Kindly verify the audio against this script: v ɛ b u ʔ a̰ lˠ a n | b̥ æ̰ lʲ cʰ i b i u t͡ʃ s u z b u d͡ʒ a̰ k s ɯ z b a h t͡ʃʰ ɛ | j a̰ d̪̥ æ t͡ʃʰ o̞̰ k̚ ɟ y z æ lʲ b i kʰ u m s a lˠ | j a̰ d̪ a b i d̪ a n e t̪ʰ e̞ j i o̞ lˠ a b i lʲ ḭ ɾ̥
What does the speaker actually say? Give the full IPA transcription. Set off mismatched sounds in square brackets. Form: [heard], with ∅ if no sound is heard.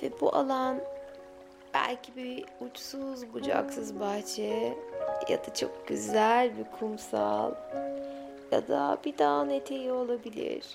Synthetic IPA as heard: v ɛ b u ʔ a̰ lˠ a n | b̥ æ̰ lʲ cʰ i b i u t͡ʃ s u z b u d͡ʒ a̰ k s ɯ z b a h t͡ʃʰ ɛ | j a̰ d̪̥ [a] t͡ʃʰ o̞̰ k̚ ɟ y z æ lʲ b i kʰ u m s a lˠ | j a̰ d̪ a b i d̪ a n e t̪ʰ e̞ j i o̞ lˠ a b i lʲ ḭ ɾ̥